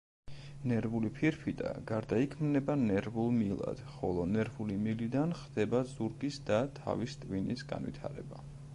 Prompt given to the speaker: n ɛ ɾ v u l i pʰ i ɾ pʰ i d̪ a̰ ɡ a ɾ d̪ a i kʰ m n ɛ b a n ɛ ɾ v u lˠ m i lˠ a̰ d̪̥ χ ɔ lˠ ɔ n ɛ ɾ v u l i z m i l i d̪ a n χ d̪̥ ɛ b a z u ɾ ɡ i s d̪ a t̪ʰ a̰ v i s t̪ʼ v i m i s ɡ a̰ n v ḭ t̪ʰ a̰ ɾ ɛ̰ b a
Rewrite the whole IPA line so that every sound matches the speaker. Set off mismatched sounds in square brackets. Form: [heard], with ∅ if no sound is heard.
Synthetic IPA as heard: n ɛ ɾ v u l i pʰ i ɾ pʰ i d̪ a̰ ɡ a ɾ d̪ a i kʰ m n ɛ b a n ɛ ɾ v u lˠ m i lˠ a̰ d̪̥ χ ɔ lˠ ɔ n ɛ ɾ v u l i [∅] m i l i d̪ a n χ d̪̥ ɛ b a z u ɾ ɡ i s d̪ a t̪ʰ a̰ v i s t̪ʼ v i [n] i s ɡ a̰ n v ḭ t̪ʰ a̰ ɾ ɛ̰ b a